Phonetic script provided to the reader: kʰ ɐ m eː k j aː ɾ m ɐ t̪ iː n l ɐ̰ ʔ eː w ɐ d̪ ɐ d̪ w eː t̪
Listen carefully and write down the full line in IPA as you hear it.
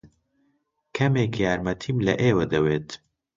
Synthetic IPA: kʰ ɐ m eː k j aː ɾ m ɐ t̪ʰ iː m l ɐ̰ ʔ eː w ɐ d̪ ɐ w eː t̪